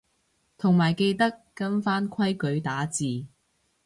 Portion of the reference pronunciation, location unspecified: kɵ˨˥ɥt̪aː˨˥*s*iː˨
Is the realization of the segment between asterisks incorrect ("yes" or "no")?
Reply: yes